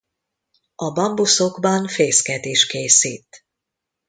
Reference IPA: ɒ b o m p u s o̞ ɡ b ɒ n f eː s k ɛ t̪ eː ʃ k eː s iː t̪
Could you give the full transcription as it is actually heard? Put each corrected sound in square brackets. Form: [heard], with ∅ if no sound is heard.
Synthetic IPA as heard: ɒ b [ɒ] m [b] u s o̞ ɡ b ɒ n f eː s k ɛ [d̪] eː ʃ k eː s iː t̪

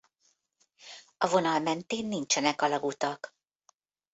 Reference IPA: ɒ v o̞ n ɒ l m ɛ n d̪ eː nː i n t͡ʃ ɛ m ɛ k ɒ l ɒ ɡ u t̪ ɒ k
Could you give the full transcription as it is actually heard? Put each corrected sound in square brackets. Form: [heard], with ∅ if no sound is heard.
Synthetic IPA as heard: ɒ v o̞ n ɒ l m ɛ n [t̪] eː nː i n t͡ʃ ɛ [n] ɛ k ɒ l ɒ ɡ u t̪ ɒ k

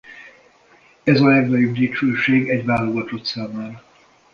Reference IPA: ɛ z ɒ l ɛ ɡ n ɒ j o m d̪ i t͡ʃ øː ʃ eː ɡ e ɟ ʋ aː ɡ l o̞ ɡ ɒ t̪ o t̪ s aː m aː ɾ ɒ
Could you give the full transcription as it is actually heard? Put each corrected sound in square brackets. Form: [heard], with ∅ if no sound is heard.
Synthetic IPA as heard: ɛ z ɒ l ɛ ɡ n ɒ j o [b] d̪ i t͡ʃ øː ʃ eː ɡ [ɛ] ɟ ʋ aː [∅] l o̞ ɡ ɒ t̪ o t̪ s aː m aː ɾ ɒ

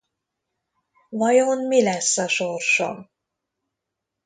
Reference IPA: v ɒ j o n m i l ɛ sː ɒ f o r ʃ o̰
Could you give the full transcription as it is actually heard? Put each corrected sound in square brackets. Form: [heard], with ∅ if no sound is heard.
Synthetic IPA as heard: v ɒ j o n m i l ɛ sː ɒ [ʃ] o r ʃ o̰

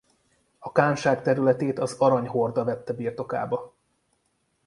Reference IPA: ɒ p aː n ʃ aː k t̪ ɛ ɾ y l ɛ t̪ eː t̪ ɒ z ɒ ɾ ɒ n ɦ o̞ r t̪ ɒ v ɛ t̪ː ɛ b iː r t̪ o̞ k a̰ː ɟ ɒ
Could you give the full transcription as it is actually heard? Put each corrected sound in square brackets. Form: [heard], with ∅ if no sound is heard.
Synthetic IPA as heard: ɒ [k] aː n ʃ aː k t̪ ɛ ɾ y l ɛ t̪ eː t̪ ɒ z ɒ ɾ ɒ [ɲ] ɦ o̞ r [d̪] ɒ v ɛ t̪ː ɛ b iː r t̪ o̞ k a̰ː [b] ɒ

